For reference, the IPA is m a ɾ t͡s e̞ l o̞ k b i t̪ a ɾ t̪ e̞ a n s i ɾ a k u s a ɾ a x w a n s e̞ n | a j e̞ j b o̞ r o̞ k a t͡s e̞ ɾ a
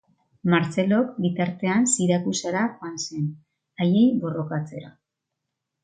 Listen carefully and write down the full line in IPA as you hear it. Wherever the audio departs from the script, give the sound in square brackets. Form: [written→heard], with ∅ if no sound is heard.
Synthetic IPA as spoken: m a ɾ t͡s e̞ l o̞ k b i t̪ a ɾ t̪ e̞ a n s i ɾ a k u s a ɾ a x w a n s e̞ n | a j e̞ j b o̞ r o̞ k a t͡s e̞ ɾ a